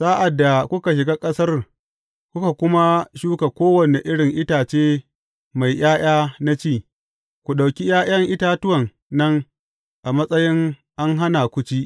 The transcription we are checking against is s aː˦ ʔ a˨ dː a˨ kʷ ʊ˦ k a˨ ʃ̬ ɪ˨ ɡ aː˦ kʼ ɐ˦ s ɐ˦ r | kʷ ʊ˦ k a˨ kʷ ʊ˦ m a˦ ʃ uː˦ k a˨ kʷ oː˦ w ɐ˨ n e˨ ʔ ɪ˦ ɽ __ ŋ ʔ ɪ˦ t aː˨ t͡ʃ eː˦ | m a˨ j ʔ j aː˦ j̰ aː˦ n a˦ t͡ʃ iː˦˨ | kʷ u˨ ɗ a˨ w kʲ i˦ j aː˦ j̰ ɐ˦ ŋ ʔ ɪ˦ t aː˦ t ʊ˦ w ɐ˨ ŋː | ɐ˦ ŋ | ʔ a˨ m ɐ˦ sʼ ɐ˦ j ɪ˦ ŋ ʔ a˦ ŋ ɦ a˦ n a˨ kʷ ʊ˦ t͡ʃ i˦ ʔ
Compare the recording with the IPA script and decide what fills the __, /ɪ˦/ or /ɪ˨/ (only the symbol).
ɪ˨